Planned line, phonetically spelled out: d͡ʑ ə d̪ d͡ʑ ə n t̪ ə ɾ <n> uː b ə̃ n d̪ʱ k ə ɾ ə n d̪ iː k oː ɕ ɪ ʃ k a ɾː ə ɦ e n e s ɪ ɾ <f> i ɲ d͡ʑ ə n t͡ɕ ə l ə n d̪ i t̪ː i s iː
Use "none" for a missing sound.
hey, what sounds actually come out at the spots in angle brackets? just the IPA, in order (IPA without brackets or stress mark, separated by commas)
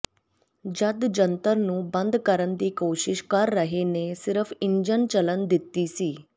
n, f